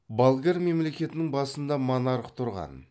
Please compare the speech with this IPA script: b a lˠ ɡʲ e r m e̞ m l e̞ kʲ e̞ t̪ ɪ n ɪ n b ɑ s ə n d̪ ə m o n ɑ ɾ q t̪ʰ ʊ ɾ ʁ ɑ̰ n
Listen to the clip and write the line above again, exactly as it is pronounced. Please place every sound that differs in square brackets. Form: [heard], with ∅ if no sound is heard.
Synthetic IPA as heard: b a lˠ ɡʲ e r m e̞ m l e̞ kʲ e̞ t̪ ɪ n ɪ [ŋ] b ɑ s ə n d̪ [ɑ] m o n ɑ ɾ q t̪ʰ ʊ ɾ ʁ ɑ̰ n